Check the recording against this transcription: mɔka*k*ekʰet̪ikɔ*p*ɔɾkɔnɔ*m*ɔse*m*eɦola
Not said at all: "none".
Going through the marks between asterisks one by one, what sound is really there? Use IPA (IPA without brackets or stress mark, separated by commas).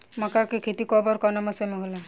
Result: k, b, m, m